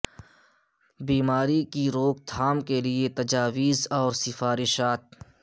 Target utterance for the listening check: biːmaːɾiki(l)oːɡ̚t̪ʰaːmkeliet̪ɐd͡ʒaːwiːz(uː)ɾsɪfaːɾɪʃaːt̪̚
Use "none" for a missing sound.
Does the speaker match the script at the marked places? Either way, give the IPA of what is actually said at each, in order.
ɾ, ɔː

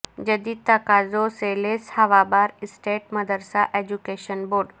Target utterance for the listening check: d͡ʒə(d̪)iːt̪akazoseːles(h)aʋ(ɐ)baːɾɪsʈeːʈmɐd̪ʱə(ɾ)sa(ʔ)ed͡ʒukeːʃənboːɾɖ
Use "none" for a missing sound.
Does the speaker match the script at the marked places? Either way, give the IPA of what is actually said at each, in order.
d̪, h, a, ɾ, ʔ

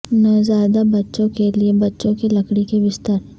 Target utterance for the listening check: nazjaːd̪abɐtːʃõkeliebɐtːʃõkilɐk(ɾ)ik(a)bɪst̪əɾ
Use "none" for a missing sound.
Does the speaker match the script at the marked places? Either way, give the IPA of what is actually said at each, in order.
ɽ, e

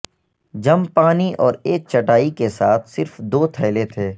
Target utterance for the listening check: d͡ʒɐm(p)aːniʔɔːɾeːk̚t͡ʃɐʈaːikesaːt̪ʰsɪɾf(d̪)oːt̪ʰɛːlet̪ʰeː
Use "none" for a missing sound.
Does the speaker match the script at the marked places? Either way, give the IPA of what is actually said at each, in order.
p, d̪

